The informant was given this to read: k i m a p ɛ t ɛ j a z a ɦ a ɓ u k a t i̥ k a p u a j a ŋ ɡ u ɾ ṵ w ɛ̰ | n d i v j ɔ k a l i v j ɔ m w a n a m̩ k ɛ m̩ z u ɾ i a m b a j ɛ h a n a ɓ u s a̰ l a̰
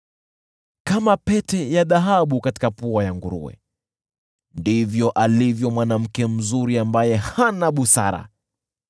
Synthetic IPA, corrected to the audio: k a m a p ɛ t ɛ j a ð a ɦ a ɓ u k a t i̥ k a p u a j a ŋ ɡ u ɾ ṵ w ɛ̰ | n d i v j ɔ ʔ a l i v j ɔ m w a n a m̩ k ɛ m̩ z u ɾ i a m b a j ɛ h a n a ɓ u s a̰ ɾ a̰